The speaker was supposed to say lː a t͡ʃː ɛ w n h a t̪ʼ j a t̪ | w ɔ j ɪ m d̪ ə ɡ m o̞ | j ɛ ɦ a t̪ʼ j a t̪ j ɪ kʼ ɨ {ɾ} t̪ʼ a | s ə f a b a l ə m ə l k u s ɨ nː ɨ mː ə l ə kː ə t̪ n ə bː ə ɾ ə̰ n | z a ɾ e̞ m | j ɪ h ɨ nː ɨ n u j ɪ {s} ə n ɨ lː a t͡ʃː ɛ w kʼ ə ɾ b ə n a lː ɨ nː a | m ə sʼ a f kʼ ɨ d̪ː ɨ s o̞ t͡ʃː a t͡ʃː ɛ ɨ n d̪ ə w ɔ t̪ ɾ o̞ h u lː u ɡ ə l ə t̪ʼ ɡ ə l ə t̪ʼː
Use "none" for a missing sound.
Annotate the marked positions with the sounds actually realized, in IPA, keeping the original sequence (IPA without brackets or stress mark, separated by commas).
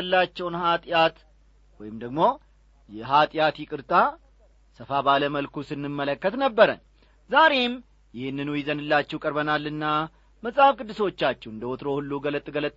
ɾ, z